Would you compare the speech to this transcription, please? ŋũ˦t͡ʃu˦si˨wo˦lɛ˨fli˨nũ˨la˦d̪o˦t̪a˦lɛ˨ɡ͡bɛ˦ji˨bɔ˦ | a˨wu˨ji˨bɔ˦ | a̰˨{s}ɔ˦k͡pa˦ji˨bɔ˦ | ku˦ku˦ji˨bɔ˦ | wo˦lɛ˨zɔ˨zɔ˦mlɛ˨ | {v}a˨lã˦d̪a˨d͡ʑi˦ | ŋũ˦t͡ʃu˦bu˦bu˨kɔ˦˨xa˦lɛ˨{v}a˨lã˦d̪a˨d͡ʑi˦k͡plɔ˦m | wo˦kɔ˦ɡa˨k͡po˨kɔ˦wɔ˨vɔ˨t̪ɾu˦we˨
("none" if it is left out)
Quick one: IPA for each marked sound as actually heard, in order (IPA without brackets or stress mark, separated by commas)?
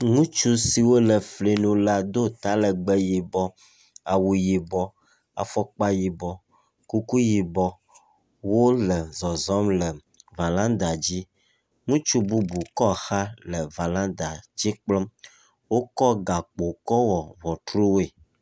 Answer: f, v, v